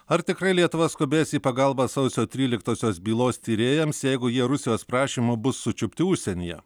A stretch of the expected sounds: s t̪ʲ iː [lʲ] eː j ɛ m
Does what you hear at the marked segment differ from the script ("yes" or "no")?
yes